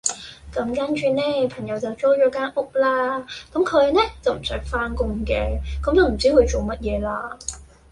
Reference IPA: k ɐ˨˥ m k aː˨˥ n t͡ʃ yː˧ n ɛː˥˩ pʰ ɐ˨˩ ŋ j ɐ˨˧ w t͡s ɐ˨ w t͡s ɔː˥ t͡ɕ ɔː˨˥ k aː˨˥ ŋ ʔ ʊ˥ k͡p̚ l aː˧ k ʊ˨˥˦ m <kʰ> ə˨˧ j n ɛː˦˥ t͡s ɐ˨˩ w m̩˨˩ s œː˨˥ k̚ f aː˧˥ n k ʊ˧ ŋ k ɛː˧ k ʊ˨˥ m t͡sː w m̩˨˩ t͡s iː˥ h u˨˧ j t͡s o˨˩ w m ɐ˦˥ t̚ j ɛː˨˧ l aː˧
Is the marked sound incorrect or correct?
correct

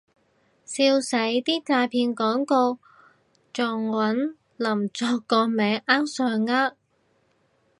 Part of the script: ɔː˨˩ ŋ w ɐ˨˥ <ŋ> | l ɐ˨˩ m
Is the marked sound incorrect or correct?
incorrect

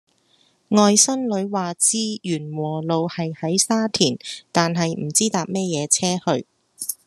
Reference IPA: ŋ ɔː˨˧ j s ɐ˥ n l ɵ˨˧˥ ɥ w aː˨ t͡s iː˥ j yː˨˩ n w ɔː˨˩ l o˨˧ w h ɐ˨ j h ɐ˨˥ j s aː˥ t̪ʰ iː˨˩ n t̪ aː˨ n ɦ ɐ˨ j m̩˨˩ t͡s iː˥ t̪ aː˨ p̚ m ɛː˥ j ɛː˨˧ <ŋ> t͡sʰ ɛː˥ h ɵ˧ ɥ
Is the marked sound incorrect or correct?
incorrect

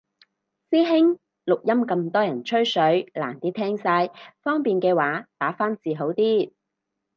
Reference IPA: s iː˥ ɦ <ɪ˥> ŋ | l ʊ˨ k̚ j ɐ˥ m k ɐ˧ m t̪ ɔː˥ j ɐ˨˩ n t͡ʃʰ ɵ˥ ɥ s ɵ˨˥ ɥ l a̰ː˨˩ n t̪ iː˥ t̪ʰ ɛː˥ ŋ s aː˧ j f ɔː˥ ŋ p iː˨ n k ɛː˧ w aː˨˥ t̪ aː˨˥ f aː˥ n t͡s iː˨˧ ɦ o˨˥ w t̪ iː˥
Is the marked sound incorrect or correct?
correct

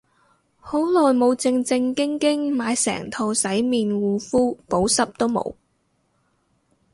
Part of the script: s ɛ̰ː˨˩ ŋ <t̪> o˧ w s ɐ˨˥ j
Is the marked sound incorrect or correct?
incorrect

